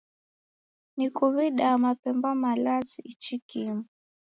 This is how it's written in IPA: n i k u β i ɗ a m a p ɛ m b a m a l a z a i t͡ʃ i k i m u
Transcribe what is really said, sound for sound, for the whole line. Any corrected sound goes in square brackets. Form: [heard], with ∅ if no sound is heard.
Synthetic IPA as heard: n i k u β i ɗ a m a p ɛ m b a m a l a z [i] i t͡ʃ i k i m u